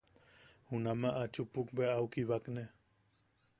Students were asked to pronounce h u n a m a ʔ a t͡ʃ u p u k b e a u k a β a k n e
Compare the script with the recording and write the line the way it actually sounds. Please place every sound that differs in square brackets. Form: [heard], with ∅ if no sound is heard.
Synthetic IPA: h u n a m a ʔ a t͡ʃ u p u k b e a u k [i] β a k n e